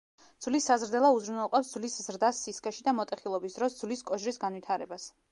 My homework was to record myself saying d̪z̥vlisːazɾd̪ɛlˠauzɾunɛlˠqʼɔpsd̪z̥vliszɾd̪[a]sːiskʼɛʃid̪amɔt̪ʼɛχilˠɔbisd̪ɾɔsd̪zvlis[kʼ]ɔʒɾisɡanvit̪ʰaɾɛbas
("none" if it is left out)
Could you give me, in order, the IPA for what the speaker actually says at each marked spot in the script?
a, kʼ

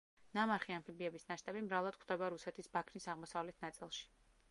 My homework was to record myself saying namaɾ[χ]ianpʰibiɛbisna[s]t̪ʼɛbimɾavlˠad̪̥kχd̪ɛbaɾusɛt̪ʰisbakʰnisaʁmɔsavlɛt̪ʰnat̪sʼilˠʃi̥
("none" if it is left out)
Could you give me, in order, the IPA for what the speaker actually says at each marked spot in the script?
χ, ʃ

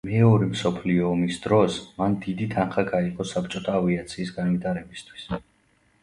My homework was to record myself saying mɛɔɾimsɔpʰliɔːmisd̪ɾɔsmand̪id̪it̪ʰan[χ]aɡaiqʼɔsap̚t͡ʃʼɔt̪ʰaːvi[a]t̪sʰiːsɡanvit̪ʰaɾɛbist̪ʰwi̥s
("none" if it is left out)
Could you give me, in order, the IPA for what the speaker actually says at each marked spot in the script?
χ, a

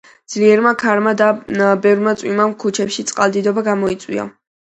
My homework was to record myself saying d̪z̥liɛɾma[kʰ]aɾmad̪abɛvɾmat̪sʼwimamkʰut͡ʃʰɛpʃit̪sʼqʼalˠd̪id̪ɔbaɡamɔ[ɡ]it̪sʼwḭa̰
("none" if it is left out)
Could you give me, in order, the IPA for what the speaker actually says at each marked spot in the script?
kʰ, none

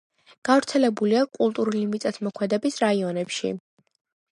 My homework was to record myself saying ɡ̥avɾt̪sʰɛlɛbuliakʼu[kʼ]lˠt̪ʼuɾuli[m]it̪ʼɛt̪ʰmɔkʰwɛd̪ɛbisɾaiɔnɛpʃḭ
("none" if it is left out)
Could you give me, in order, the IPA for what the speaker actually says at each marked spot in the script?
none, m

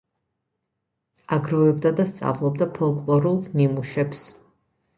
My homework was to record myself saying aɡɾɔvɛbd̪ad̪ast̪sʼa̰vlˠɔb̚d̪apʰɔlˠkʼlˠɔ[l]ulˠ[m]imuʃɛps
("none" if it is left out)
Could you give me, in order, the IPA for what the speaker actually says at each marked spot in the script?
ɾ, n

